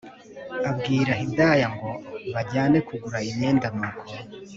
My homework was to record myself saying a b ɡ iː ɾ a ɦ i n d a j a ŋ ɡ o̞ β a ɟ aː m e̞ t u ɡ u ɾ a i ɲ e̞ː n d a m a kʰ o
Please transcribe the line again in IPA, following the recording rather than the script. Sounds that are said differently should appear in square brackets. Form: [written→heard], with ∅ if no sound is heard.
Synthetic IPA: a b ɡ iː ɾ a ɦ i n d a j a ŋ ɡ o̞ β a ɟ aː [m→n] e̞ [t→k] u ɡ u ɾ a i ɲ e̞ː n d a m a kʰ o

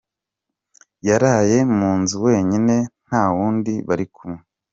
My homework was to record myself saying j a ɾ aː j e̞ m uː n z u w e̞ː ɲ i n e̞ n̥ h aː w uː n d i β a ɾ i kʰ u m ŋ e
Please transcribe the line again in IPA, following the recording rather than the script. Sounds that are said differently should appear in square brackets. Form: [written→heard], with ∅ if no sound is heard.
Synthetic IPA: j a ɾ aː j e̞ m uː n z u w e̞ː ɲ i n e̞ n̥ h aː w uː n d i β a ɾ i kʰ u m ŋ e

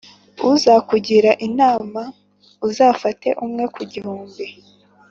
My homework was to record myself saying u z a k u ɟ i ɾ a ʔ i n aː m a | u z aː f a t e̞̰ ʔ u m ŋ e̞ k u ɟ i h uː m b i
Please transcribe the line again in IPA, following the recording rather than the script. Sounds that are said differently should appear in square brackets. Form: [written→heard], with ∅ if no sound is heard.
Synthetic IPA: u z a k u ɟ i ɾ a ʔ i n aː m a | u z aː f a t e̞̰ ʔ u m ŋ e̞ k u ɟ i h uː m b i

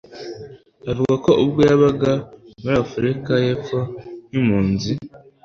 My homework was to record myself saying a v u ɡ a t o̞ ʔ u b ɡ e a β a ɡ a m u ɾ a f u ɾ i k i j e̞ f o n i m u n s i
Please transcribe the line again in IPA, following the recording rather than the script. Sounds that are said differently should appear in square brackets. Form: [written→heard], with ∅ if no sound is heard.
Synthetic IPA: a v u ɡ a [t→k] o̞ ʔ u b ɡ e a β a ɡ a m u ɾ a f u ɾ i k [i→a] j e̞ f o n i m [u→uː] n [s→z] i

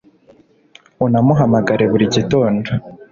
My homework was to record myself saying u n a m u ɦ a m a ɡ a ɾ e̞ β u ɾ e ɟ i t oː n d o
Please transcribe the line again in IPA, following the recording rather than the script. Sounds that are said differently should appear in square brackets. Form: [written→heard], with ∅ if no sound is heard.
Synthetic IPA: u n a m u ɦ a m a ɡ a ɾ e̞ β u ɾ [e→i] ɟ i t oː n d o

